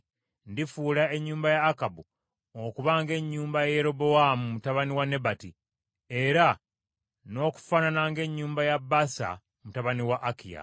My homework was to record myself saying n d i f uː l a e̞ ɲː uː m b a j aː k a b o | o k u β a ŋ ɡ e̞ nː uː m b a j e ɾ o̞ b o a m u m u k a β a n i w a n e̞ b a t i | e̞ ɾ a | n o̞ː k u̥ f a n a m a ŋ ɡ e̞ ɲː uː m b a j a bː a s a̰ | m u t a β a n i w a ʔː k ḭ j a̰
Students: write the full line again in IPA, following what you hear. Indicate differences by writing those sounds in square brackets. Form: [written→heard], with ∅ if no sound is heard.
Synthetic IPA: n d i f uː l a e̞ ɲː uː m b a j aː k a b [o→u] | o k u β a ŋ ɡ e̞ [nː→ɲː] uː m b a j e ɾ o̞ b o a m u m u [k→t] a β a n i w a n e̞ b a t i | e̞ ɾ a | n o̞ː k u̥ f a n a [m→n] a ŋ ɡ e̞ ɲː uː m b a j a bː a s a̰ | m u t a β a n i w a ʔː k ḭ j a̰